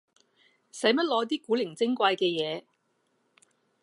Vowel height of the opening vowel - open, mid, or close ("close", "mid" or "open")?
open